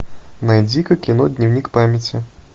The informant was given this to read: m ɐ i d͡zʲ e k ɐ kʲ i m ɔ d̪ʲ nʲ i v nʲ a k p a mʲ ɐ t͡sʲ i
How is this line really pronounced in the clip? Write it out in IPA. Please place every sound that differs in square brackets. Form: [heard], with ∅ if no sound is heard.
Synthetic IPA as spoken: [n] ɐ [j] d͡zʲ [i] k ɐ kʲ i [n] ɔ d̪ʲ nʲ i [w] nʲ [i] k p a mʲ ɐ t͡sʲ i